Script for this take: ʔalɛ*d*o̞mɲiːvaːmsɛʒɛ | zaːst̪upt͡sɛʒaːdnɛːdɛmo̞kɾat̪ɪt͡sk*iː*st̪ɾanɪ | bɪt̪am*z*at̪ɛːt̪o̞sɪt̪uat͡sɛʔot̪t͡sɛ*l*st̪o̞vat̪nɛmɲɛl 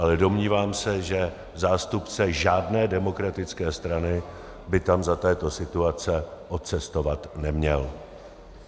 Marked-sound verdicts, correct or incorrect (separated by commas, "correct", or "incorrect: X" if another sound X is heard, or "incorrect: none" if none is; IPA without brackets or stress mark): correct, incorrect: ɛː, correct, incorrect: none